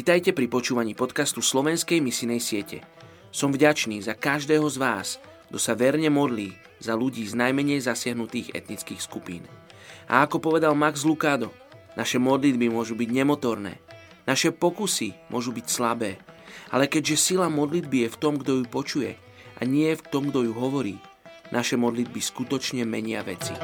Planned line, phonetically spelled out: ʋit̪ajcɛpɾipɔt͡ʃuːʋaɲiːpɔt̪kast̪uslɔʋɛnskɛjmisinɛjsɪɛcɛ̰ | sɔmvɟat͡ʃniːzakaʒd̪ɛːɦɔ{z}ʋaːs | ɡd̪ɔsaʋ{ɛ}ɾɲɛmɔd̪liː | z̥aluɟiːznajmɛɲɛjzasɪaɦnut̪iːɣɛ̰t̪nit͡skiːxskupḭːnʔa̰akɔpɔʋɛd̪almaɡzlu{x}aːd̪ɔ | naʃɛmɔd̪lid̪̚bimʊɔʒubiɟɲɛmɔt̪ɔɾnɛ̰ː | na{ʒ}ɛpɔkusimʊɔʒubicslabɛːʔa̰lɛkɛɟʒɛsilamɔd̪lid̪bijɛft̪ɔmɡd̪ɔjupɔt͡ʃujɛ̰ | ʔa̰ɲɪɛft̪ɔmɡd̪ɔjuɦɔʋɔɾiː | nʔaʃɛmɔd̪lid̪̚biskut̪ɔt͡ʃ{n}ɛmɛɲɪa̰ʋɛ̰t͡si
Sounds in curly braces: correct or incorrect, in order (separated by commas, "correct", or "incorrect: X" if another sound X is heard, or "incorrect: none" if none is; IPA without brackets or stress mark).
correct, correct, incorrect: k, incorrect: ʃ, incorrect: ɲ